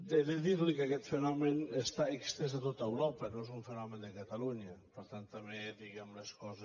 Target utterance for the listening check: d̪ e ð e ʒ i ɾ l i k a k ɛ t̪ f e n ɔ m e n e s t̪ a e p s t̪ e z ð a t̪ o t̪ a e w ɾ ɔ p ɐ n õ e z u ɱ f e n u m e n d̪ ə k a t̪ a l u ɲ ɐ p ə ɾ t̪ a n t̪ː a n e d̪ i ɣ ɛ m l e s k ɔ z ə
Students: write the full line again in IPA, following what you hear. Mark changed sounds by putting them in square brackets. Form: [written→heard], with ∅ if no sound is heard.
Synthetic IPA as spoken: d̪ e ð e [ʒ→ð] i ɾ l i k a k ɛ t̪ f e n ɔ m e n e s t̪ a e [p→k] s t̪ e z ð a t̪ o t̪ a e w ɾ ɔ p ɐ n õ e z u ɱ f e n [u→ɔ] m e n d̪ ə k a t̪ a l u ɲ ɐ p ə ɾ t̪ a n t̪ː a [n→m] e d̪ i ɣ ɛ m l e s k ɔ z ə